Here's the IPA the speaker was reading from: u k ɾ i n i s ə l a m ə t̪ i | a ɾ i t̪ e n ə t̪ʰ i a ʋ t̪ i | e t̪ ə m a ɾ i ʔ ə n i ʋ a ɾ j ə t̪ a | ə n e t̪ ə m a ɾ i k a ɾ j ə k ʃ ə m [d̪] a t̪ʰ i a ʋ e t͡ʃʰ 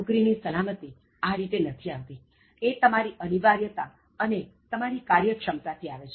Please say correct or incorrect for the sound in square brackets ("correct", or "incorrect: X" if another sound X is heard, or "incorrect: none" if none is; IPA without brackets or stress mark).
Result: incorrect: t̪